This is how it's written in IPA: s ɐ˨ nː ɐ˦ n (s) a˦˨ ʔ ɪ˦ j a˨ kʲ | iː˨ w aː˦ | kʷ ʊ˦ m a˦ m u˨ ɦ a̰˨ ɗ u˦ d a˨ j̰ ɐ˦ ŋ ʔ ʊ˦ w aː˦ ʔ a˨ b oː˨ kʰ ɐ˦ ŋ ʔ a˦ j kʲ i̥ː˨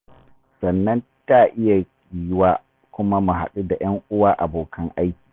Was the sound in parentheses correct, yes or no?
no